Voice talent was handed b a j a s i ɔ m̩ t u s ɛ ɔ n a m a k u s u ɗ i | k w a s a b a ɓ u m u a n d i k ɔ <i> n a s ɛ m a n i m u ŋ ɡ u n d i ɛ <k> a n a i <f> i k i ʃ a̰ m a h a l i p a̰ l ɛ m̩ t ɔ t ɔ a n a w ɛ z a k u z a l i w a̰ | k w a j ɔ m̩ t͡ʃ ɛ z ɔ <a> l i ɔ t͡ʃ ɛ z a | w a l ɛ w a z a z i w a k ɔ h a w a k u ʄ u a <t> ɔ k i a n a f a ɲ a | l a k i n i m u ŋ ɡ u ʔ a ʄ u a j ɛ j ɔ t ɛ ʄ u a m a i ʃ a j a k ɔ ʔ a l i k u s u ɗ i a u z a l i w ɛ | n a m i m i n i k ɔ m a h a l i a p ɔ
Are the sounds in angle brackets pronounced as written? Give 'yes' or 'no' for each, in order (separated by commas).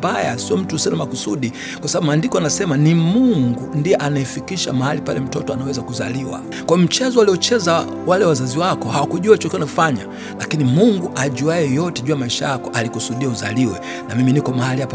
no, no, yes, yes, no